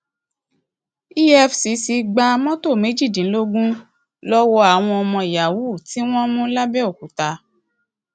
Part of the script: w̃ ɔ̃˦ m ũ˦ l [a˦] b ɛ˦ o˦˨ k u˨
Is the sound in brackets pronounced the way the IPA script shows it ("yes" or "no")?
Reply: yes